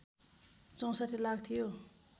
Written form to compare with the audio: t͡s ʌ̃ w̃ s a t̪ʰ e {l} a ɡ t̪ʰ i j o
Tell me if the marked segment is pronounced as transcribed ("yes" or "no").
yes